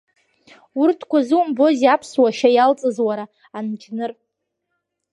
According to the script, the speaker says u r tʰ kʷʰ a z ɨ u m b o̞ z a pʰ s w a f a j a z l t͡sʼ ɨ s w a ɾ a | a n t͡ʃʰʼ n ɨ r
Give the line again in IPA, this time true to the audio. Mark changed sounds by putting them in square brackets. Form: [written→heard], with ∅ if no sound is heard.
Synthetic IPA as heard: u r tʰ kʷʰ a z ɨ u m b o̞ z a pʰ s w a [f→ʃ] a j a [z→∅] l t͡sʼ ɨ [s→z] w a ɾ a | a n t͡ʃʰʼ n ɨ r